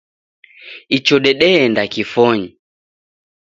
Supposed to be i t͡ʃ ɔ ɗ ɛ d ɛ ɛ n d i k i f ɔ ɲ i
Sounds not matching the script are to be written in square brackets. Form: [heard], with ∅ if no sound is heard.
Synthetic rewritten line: i t͡ʃ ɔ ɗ ɛ [ɗ] ɛ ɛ n d [a] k i f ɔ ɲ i